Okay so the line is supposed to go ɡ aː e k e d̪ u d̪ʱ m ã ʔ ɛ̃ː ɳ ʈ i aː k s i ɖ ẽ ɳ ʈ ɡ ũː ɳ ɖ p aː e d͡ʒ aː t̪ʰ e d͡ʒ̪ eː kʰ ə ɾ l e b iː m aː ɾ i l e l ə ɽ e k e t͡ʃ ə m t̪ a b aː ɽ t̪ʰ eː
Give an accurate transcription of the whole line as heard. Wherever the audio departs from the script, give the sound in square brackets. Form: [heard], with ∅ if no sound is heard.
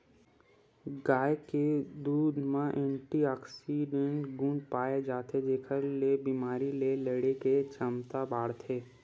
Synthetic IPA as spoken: ɡ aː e k e d̪ [uː] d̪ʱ m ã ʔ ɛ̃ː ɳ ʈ i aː k s i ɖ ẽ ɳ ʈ ɡ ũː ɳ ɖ p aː e d͡ʒ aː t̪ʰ e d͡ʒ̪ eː kʰ ə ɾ l e b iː m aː ɾ i l e l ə ɽ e k e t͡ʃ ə m t̪ a b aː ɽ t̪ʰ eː

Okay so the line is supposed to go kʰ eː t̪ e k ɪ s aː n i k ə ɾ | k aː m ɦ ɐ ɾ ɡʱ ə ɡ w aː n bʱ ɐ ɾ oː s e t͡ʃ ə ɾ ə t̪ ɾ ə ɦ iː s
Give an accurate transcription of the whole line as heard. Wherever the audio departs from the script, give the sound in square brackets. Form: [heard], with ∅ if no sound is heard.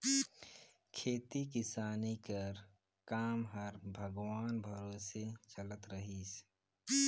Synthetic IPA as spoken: kʰ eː t̪ [i] k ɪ s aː n i k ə ɾ | k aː m ɦ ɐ ɾ [bʱ] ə ɡ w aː n bʱ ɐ ɾ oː s e t͡ʃ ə [l] ə t̪ ɾ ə ɦ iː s

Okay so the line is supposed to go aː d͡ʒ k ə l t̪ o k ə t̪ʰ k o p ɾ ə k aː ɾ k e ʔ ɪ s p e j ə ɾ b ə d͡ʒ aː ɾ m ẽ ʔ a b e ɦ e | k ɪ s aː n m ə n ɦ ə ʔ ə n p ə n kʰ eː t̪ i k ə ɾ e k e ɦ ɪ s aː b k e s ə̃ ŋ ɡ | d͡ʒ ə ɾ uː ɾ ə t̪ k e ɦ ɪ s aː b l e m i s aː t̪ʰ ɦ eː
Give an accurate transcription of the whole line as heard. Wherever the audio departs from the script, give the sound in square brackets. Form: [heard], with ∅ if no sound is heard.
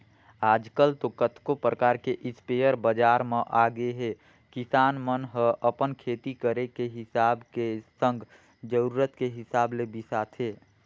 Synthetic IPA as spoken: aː d͡ʒ k ə l t̪ o k ə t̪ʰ k o p ɾ ə k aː ɾ k e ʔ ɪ s p e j ə ɾ b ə d͡ʒ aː ɾ m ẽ ʔ a [ɡ] e ɦ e | k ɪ s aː n m ə n ɦ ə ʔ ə [∅] p ə n kʰ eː t̪ i k ə ɾ e k e ɦ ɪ s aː b k e s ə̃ ŋ ɡ | d͡ʒ ə ɾ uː ɾ ə t̪ k e ɦ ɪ s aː b l e [b] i s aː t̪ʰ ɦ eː

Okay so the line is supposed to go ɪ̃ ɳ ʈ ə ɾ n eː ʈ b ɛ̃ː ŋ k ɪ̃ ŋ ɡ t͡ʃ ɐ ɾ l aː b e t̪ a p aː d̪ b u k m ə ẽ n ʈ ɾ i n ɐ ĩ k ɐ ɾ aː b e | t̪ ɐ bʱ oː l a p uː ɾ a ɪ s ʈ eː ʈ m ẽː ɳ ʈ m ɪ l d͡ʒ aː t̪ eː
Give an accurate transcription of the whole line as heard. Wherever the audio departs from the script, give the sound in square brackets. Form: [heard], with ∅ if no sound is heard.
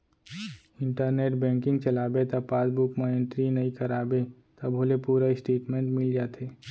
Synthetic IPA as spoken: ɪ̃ ɳ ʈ ə ɾ n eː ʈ b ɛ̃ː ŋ k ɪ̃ ŋ ɡ t͡ʃ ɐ [∅] l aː b e t̪ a p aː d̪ b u k m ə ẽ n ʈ ɾ i n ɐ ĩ k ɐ ɾ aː b e | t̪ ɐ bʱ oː l [e] p uː ɾ a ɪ s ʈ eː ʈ m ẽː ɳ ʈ m ɪ l d͡ʒ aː t̪ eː

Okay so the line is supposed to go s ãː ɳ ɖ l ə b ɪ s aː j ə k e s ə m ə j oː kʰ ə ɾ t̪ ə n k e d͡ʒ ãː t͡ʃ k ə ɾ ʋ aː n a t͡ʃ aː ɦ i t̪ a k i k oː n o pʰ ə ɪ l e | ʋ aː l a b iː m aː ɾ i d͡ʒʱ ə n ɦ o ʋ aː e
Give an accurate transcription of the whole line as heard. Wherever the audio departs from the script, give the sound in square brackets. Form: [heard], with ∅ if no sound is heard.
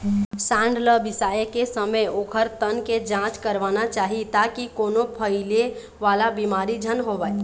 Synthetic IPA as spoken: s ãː ɳ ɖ l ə b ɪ s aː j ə k e s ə m ə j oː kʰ ə ɾ t̪ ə n k e d͡ʒ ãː t͡ʃ k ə ɾ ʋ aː n a t͡ʃ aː ɦ i t̪ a k i k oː n o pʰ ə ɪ l e | ʋ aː l a b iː m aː ɾ i d͡ʒʱ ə n ɦ o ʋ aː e

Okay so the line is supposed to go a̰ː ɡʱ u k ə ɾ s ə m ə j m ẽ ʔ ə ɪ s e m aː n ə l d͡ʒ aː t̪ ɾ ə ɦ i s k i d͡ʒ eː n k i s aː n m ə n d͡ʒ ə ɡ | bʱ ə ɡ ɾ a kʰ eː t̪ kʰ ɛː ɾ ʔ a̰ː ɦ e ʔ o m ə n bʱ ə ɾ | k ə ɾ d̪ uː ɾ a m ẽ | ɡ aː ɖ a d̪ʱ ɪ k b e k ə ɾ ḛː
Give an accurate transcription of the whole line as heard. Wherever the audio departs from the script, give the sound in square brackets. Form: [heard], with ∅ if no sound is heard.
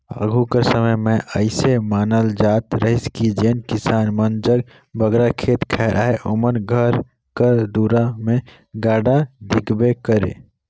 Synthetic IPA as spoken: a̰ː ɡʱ u k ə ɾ s ə m ə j m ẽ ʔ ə ɪ s e m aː n ə l d͡ʒ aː t̪ ɾ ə ɦ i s k i d͡ʒ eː n k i s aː n m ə n d͡ʒ ə ɡ | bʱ ə ɡ ɾ a kʰ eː t̪ kʰ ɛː ɾ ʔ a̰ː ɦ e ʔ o m ə n [ɡʱ] ə ɾ | k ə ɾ d̪ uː ɾ a m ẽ | ɡ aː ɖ a d̪ʱ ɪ k b e k ə ɾ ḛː

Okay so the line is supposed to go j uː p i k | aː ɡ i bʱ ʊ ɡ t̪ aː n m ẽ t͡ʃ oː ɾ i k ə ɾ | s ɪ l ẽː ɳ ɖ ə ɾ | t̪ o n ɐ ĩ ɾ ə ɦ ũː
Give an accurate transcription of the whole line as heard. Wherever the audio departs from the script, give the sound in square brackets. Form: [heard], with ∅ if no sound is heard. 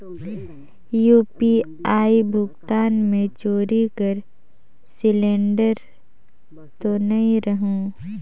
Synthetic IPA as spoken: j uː p i [∅] | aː [∅] i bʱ ʊ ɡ t̪ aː n m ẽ t͡ʃ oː ɾ i k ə ɾ | s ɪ l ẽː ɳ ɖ ə ɾ | t̪ o n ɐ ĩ ɾ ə ɦ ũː

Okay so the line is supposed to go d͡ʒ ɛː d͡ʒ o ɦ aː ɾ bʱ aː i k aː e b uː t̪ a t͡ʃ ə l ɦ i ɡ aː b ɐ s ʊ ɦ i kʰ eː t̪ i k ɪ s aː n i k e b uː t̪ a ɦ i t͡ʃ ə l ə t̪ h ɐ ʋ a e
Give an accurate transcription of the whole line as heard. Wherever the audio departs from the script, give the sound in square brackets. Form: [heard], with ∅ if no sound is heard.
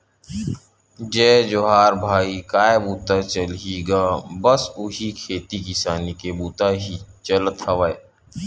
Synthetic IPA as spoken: d͡ʒ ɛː d͡ʒ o ɦ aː ɾ bʱ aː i k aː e b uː t̪ a t͡ʃ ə l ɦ i ɡ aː b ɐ s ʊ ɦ i kʰ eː t̪ i k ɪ s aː n i k e b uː t̪ a ɦ i t͡ʃ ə l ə t̪ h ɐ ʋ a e

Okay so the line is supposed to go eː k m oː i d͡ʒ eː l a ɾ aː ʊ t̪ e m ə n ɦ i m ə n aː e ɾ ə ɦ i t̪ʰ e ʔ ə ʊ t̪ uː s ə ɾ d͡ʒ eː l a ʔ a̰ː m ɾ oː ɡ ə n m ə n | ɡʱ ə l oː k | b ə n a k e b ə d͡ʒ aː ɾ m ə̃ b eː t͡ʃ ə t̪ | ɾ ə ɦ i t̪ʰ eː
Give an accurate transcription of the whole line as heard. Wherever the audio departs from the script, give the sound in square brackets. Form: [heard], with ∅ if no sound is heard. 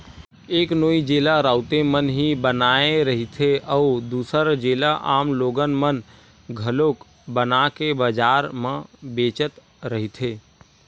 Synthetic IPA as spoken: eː k [n] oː i d͡ʒ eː l a ɾ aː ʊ t̪ e m ə n ɦ i [b] ə n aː e ɾ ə ɦ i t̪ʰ e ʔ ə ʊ [d̪] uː s ə ɾ d͡ʒ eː l a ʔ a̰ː m [l] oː ɡ ə n m ə n | ɡʱ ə l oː k | b ə n a k e b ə d͡ʒ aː ɾ m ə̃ b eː t͡ʃ ə t̪ | ɾ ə ɦ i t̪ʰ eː

